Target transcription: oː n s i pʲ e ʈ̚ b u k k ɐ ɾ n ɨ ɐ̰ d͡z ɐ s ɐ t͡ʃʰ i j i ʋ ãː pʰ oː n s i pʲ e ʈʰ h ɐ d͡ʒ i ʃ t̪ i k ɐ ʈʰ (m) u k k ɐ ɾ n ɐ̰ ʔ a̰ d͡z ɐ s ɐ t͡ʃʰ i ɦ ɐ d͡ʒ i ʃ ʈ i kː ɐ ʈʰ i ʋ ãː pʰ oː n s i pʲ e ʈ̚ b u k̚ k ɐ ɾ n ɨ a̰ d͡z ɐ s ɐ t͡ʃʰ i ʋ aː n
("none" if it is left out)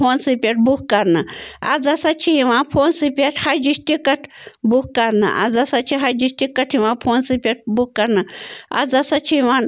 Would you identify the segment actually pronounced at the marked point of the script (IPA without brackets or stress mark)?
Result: b